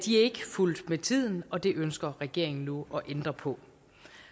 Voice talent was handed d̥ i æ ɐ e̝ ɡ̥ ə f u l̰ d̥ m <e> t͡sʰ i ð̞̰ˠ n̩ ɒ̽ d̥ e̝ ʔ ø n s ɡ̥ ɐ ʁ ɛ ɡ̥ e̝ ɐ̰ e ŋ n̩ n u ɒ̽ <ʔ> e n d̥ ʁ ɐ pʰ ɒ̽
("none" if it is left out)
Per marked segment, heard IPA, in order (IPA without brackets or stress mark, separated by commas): e, ʔ